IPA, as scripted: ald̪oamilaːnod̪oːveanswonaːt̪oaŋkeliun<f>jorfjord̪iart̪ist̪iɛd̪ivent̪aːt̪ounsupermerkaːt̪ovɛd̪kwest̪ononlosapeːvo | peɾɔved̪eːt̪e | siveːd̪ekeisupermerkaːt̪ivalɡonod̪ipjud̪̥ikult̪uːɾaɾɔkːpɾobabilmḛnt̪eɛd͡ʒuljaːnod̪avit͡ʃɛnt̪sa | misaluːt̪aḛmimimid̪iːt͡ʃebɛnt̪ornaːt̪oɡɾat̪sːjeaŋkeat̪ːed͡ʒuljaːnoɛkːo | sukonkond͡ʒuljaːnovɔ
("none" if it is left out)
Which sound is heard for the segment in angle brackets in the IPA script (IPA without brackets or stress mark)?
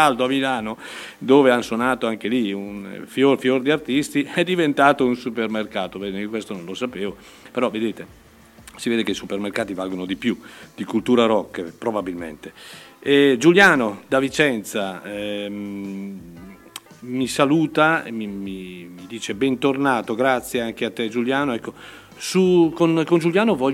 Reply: f